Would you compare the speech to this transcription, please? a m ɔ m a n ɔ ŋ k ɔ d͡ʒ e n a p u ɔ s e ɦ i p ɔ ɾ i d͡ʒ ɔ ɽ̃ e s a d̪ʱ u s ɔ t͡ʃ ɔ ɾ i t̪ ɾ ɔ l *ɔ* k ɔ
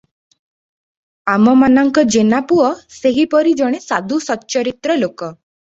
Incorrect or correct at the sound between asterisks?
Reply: incorrect: o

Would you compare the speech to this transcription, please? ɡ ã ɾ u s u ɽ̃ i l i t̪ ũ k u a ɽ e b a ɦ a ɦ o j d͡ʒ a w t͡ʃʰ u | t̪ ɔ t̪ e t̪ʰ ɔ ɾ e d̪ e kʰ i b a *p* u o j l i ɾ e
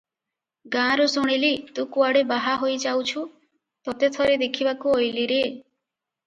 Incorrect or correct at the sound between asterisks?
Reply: incorrect: k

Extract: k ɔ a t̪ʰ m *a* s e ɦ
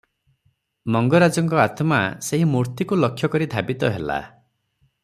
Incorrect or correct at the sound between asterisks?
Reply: correct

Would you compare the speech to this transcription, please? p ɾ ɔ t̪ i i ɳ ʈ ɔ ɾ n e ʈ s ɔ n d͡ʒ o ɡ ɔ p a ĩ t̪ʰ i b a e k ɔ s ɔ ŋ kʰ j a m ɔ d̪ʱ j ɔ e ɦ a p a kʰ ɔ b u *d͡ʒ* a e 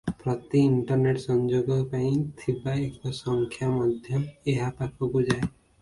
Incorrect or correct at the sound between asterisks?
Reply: correct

